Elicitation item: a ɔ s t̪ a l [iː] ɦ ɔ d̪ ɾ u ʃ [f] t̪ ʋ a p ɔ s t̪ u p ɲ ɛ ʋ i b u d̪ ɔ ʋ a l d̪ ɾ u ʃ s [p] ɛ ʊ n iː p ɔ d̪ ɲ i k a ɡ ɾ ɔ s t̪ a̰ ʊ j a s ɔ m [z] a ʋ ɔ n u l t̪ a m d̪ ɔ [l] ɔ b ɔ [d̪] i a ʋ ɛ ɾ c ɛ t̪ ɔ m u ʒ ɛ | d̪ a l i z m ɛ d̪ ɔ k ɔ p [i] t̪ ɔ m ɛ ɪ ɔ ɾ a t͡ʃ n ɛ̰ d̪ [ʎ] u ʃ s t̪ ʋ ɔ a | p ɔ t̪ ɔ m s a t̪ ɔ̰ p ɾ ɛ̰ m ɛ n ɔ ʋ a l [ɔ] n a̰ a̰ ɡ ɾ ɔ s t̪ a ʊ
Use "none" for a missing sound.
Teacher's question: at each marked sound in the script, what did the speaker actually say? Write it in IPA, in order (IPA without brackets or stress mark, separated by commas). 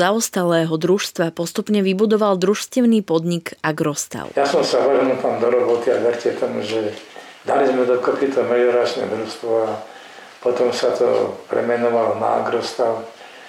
ɛː, s, c, s, ɾ, t̪, i, ɾ, ɔ